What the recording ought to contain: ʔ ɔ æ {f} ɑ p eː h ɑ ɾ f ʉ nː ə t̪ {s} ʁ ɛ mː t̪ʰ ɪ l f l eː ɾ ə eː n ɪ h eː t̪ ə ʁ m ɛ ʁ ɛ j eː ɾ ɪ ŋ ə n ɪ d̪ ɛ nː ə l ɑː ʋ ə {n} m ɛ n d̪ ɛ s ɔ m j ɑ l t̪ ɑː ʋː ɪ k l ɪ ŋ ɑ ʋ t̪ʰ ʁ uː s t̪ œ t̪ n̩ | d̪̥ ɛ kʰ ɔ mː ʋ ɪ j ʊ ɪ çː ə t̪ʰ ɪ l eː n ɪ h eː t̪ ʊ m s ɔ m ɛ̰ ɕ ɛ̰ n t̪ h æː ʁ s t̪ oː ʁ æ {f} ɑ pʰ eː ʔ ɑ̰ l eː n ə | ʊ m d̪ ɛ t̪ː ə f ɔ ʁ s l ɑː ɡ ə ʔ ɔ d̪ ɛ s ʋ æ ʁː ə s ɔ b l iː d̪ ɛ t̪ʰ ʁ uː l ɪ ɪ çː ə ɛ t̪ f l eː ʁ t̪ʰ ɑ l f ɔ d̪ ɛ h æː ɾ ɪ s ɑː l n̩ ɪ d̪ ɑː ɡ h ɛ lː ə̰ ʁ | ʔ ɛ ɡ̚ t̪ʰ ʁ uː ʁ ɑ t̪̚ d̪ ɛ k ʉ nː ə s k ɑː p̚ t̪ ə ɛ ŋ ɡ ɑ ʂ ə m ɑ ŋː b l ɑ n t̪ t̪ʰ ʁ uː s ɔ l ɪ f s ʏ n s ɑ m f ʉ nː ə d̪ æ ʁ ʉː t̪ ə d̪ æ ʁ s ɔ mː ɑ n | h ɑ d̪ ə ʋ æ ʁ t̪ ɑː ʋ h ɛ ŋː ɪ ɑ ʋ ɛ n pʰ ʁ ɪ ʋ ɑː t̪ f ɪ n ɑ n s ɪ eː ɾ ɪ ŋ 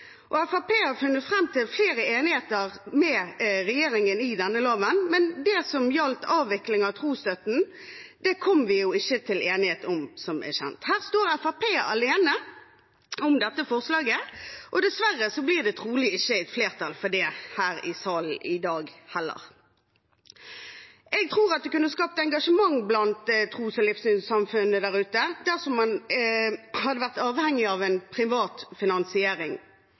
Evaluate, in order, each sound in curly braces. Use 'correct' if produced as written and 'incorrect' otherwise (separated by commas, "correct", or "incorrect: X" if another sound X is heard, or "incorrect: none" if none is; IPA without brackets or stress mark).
correct, incorrect: f, correct, correct